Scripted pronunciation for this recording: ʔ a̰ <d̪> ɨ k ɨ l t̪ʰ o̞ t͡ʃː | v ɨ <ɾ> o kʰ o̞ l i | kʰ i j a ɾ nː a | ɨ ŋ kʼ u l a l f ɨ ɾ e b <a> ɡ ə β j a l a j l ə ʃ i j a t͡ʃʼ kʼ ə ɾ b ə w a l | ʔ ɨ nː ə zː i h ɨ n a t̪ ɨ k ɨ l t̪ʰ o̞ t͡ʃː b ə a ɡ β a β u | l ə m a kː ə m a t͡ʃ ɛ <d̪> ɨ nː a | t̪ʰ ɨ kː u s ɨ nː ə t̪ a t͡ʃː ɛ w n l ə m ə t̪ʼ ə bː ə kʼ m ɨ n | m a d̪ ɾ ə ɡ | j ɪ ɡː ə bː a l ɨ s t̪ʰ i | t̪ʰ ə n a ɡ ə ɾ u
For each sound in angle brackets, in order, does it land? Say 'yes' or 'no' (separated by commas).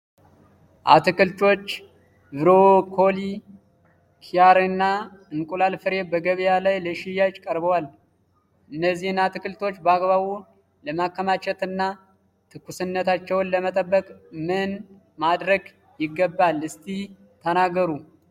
no, yes, no, no